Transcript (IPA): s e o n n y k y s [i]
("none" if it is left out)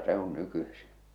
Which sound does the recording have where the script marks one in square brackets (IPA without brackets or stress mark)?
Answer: i